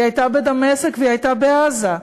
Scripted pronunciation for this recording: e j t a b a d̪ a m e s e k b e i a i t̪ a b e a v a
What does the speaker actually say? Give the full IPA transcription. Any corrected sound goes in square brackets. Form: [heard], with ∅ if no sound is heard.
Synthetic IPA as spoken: [a] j t a b [e] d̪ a m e s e k [v] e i a [j] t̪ a b e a [z] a